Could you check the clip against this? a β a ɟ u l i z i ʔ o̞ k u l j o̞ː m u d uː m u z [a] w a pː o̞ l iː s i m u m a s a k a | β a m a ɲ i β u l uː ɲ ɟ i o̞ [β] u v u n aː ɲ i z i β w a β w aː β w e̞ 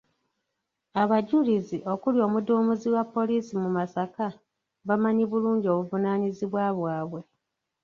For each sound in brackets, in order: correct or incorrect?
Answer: incorrect, correct

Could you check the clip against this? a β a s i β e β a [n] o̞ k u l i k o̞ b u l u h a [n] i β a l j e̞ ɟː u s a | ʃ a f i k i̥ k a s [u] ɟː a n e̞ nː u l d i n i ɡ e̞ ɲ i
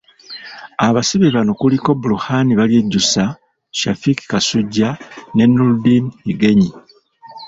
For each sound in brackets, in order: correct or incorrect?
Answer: correct, correct, correct

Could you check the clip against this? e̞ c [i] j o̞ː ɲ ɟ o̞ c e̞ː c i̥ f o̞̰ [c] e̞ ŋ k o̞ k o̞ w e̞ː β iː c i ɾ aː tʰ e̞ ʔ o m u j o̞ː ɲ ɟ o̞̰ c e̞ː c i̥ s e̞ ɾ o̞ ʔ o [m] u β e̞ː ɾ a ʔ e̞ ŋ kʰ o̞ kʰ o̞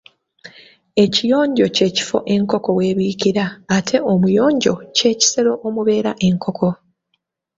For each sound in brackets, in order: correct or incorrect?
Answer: correct, incorrect, correct

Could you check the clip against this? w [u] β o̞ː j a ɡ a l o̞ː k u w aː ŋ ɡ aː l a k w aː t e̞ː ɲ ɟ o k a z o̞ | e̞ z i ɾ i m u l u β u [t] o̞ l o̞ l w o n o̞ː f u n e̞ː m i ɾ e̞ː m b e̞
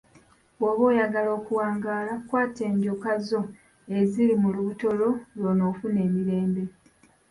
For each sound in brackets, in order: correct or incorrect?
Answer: incorrect, correct

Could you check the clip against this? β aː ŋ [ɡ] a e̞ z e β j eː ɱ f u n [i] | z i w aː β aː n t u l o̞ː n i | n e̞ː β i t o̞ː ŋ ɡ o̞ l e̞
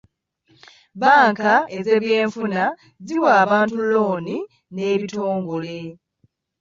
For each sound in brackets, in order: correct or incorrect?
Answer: incorrect, incorrect

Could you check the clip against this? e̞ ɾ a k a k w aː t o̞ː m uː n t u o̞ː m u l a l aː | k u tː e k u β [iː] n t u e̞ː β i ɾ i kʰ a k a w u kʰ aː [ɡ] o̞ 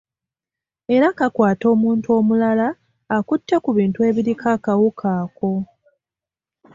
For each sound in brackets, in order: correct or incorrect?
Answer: correct, incorrect

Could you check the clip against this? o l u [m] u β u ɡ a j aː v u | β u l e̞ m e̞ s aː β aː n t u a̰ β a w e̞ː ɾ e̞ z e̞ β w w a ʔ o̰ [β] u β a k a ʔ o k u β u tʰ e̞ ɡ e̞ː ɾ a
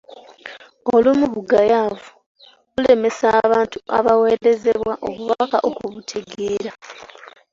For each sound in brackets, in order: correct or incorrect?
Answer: correct, correct

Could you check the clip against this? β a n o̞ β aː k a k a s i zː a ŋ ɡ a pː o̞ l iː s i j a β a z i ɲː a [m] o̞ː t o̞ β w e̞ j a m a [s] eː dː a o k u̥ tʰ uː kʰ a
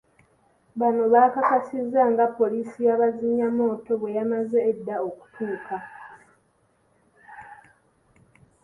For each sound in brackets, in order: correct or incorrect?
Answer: correct, incorrect

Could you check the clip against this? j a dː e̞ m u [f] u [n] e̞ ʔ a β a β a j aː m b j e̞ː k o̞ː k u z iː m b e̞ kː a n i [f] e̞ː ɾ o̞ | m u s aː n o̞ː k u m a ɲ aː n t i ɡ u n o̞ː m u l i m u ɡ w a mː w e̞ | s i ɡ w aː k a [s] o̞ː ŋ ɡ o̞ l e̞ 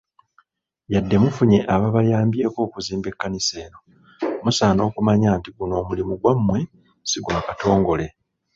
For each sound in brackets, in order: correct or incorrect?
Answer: correct, incorrect, incorrect, incorrect

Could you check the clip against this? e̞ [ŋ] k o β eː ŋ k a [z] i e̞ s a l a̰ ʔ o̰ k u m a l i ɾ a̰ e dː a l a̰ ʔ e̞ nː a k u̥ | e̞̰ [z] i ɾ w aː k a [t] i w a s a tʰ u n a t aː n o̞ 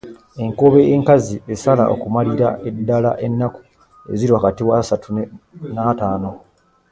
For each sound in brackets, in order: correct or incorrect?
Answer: correct, correct, correct, correct

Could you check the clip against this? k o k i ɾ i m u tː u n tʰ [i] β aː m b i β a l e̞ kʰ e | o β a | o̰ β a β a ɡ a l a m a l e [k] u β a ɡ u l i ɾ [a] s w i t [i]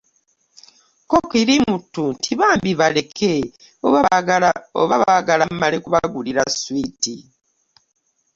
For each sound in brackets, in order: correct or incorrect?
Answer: correct, correct, correct, correct

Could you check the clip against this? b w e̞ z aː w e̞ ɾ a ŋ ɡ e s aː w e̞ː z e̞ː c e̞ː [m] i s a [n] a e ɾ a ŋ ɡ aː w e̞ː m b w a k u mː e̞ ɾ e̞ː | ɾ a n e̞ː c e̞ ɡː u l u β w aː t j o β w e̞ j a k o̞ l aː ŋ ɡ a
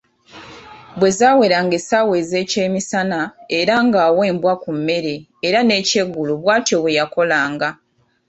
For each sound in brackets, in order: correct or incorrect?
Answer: correct, correct

